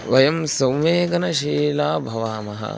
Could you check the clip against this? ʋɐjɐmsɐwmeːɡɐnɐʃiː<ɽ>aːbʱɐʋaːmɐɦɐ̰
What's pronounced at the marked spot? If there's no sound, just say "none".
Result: l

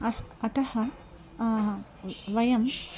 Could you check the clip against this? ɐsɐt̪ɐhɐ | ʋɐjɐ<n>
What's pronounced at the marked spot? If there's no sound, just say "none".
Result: m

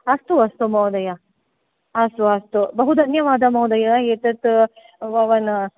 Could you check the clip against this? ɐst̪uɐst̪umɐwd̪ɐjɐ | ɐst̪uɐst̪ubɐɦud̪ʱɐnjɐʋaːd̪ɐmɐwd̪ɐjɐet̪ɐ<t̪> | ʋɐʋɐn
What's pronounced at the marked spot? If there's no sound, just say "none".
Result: t̪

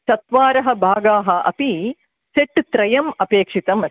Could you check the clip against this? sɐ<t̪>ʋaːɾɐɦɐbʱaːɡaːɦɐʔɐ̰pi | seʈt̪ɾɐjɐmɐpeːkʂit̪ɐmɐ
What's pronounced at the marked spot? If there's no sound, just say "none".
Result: t̪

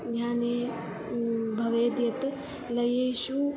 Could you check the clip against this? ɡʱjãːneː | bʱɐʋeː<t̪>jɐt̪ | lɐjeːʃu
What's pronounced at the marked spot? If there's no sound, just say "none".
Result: d̪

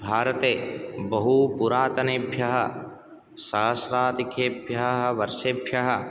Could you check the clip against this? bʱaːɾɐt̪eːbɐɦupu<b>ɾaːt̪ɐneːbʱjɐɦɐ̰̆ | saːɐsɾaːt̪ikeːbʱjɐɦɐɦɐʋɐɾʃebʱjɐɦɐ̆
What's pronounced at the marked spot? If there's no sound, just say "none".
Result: none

